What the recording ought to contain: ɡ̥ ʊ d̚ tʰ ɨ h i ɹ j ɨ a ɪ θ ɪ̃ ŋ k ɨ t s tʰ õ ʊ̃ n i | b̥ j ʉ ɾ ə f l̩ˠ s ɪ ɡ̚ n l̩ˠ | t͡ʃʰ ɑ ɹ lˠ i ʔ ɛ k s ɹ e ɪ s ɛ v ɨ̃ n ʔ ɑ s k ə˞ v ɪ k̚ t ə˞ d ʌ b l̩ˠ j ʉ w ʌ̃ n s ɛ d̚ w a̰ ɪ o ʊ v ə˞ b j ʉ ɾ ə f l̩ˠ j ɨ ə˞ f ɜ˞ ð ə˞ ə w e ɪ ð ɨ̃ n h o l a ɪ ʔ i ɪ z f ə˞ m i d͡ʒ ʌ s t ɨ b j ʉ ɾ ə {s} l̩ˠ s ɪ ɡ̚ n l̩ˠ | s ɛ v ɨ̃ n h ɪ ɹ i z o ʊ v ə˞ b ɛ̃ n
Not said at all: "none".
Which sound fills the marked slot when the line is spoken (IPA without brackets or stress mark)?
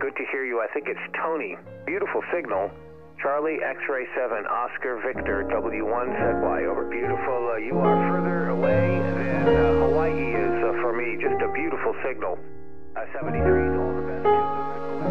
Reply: f